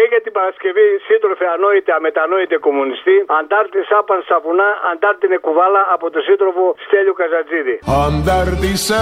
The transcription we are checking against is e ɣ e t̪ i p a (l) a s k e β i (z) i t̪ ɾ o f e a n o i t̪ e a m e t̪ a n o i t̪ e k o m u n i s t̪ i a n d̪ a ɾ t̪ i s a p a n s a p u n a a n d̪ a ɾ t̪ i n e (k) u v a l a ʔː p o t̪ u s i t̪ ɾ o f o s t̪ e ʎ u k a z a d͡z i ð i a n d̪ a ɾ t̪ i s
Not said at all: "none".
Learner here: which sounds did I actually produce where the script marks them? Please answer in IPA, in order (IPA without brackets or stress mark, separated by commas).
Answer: ɾ, s, k